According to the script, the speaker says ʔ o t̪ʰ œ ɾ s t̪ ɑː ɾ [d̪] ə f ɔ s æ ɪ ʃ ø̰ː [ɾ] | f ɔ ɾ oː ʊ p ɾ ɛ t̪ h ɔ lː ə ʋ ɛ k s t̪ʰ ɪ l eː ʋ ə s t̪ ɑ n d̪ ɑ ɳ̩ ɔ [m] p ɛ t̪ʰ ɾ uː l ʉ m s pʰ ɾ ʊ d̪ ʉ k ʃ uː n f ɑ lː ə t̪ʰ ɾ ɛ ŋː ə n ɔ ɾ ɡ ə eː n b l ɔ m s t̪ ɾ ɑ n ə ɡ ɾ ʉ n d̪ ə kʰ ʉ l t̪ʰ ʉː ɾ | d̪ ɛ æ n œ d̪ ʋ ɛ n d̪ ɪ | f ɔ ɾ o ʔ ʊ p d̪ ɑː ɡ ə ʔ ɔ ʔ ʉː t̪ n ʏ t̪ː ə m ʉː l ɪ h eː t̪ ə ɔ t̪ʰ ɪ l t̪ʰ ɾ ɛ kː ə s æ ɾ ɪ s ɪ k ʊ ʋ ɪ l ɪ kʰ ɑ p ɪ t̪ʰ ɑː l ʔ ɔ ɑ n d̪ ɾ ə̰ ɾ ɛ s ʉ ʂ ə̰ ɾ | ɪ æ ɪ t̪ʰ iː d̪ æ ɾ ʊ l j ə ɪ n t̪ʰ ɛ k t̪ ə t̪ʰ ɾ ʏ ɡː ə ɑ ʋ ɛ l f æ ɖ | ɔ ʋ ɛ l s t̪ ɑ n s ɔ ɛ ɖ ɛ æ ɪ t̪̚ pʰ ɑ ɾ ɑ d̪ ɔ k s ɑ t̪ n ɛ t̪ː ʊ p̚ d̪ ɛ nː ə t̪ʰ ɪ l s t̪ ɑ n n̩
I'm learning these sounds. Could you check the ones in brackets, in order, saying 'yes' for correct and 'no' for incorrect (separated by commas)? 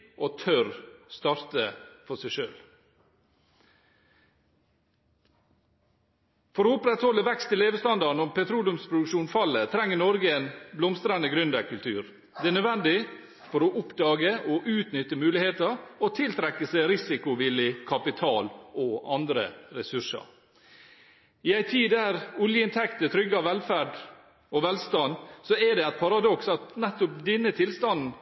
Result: no, no, yes